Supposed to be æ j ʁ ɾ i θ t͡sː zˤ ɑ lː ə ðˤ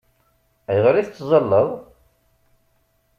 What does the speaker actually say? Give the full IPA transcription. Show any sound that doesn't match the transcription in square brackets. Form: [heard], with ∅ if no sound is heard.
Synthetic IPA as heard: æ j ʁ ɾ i θ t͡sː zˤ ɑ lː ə ðˤ